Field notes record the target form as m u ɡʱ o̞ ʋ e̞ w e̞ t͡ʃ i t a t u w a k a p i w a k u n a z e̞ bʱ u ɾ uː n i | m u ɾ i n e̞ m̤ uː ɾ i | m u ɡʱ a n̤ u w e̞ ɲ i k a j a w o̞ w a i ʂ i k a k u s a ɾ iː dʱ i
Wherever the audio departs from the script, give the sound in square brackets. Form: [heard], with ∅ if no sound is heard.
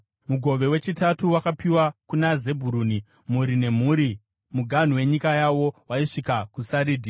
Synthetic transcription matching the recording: m u ɡʱ o̞ ʋ e̞ w e̞ t͡ʃ i t a t u w a k a p i w a k u n a z e̞ bʱ u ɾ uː n i | m u ɾ i n e̞ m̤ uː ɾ i | m u ɡʱ a n̤ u w e̞ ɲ i k a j a w o̞ w a i ʂ i k a k u s a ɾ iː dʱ i